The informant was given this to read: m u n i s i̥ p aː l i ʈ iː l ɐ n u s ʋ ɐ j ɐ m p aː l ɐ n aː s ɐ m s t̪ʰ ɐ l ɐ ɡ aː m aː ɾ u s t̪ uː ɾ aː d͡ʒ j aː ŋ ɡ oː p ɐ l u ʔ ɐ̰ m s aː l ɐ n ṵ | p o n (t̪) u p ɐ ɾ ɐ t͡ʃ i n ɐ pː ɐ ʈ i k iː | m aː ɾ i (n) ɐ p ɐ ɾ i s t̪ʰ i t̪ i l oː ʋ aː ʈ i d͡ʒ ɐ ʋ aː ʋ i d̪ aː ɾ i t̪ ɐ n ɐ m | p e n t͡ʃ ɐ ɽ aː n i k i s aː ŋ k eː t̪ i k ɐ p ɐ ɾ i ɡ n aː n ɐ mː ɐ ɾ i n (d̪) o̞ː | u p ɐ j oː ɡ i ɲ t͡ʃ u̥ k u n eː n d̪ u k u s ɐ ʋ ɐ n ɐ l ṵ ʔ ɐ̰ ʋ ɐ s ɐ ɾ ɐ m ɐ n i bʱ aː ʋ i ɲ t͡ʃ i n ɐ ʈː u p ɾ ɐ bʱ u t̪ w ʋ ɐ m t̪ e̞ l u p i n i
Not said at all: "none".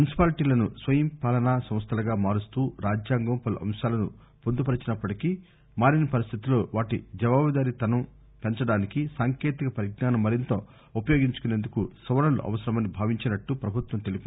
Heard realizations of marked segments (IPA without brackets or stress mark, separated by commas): d̪, n, t̪